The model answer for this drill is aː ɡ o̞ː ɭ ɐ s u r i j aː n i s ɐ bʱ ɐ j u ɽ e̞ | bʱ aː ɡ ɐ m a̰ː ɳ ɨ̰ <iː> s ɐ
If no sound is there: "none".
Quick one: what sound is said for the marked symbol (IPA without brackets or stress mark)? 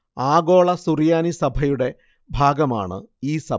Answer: iː